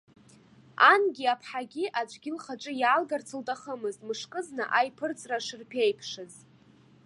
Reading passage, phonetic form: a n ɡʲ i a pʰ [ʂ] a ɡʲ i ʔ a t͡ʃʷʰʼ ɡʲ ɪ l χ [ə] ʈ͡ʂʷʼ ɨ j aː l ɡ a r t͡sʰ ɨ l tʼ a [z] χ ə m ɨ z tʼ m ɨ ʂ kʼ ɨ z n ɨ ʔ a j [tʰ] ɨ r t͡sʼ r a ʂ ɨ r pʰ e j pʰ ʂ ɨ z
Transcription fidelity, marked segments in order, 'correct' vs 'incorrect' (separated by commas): incorrect, incorrect, incorrect, incorrect